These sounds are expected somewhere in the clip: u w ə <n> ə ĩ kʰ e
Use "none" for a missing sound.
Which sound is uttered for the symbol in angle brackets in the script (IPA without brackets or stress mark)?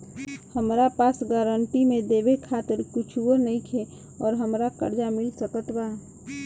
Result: n